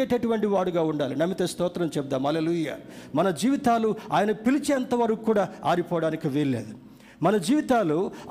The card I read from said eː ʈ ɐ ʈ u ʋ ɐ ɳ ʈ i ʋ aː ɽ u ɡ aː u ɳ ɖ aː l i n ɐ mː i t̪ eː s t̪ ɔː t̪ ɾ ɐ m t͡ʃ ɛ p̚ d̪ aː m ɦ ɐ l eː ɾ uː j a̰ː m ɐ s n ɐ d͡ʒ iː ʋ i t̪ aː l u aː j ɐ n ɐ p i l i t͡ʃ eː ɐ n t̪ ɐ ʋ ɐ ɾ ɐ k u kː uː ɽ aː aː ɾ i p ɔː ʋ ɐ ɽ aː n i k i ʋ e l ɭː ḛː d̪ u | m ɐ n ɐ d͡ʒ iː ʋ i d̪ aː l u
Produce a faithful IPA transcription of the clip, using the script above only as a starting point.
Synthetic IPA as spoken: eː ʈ ɐ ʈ u ʋ ɐ ɳ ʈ i ʋ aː ɽ u ɡ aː u ɳ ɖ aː l i n ɐ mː i t̪ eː s t̪ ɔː t̪ ɾ ɐ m t͡ʃ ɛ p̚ d̪ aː m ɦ ɐ l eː l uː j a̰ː m ɐ n ɐ d͡ʒ iː ʋ i t̪ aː l u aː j ɐ n ɐ p i l i t͡ʃ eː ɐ n t̪ ɐ ʋ ɐ ɾ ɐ k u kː uː ɽ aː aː ɾ i p ɔː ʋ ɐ ɽ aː n i k i ʋ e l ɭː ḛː d̪ u | m ɐ n ɐ d͡ʒ iː ʋ i t̪ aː l u